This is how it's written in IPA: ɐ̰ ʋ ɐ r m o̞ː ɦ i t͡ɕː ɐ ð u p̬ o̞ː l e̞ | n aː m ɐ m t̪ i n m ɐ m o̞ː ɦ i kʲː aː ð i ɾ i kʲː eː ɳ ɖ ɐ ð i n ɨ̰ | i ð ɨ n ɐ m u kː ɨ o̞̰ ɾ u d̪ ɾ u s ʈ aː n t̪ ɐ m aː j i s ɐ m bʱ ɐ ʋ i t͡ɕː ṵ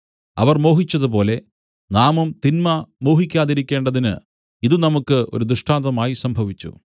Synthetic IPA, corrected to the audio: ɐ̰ ʋ ɐ r m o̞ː ɦ i t͡ɕː ɐ ð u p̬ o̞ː l e̞ | n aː m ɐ m t̪ i n m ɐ m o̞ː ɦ i kʲː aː ð i ɾ i kʲː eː ɳ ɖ ɐ ð i n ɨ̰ | i ð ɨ n ɐ m u kː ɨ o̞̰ ɾ u d̪ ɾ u ʂ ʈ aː n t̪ ɐ m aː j i s ɐ m bʱ ɐ ʋ i t͡ɕː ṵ

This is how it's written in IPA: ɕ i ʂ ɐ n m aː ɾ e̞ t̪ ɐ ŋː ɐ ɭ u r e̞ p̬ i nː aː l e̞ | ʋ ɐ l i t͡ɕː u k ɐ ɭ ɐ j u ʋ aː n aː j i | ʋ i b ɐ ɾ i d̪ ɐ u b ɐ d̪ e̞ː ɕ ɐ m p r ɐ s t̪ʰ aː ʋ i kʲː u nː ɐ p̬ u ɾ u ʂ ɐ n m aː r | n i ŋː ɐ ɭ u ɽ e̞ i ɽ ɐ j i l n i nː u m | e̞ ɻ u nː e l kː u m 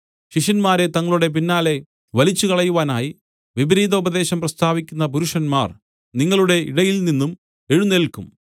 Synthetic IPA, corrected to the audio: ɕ i ʂ ɐ n m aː ɾ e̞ t̪ ɐ ŋː ɐ ɭ u ɽ e̞ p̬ i nː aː l e̞ | ʋ ɐ l i t͡ɕː u k ɐ ɭ ɐ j u ʋ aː n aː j i | ʋ i b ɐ ɾ iː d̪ ɐ u b ɐ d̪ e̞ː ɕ ɐ m p r ɐ s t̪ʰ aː ʋ i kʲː u nː ɐ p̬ u ɾ u ʂ ɐ n m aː r | n i ŋː ɐ ɭ u ɽ e̞ i ɽ ɐ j i l n i nː u m | e̞ ɻ u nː e l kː u m

